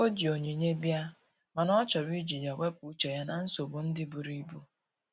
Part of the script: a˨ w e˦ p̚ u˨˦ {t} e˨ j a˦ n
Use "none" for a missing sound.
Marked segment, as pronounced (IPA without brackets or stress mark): t͡ʃ